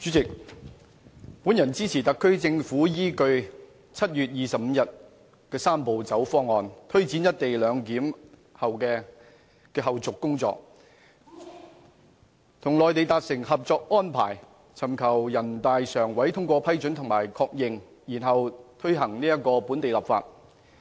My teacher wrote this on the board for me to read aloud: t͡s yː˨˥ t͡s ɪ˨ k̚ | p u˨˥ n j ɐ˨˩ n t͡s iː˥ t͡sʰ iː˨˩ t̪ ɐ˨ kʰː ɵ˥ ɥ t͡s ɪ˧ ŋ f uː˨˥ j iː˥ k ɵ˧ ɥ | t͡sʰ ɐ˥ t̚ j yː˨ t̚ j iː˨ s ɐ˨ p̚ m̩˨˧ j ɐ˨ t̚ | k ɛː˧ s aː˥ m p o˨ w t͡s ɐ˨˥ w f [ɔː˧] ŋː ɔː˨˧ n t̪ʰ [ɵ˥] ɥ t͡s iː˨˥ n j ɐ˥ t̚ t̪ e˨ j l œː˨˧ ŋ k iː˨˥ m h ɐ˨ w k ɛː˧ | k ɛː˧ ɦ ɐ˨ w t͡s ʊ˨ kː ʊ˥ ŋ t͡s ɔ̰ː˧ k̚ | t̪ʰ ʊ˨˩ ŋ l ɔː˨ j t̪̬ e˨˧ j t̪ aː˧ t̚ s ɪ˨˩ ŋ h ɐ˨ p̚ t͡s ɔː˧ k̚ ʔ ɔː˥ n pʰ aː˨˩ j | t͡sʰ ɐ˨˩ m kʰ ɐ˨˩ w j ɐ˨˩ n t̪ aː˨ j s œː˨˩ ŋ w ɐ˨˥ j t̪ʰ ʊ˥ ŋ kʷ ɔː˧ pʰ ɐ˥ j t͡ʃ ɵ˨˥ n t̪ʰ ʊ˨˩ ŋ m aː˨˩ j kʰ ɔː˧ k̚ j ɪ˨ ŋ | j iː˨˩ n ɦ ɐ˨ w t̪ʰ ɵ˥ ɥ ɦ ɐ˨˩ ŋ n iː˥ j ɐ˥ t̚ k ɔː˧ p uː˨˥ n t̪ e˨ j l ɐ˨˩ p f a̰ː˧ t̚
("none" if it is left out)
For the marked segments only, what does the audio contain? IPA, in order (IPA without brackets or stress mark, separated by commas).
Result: ɔː˥, ɵ˥